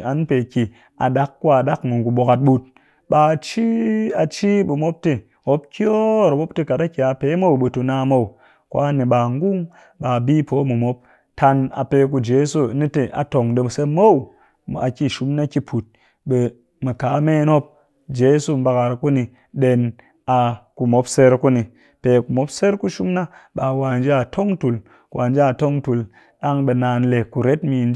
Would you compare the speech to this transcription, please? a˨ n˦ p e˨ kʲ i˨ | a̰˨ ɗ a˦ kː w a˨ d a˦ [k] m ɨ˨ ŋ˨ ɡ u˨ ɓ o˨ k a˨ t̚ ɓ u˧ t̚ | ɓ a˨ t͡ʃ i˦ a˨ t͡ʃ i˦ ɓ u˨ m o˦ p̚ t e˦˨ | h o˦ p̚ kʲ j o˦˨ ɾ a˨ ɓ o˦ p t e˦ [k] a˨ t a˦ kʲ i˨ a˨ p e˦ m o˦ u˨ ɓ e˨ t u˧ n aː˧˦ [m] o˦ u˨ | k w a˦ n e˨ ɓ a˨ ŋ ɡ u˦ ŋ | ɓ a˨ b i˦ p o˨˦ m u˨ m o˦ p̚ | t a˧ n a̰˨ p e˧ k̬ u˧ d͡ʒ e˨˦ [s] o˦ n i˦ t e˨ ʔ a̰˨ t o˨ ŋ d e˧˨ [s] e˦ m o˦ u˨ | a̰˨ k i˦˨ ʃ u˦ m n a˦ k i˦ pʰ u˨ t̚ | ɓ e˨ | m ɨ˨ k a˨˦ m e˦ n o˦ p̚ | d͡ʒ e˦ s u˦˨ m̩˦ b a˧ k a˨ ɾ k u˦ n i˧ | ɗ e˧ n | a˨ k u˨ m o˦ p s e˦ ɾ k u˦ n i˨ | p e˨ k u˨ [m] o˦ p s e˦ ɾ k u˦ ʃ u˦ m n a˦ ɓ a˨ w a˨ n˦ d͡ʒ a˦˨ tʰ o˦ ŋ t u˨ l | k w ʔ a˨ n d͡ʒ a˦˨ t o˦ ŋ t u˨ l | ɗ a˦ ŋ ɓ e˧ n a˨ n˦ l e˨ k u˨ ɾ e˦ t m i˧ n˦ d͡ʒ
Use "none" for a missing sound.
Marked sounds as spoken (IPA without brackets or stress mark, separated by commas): k, k, m, s, s, m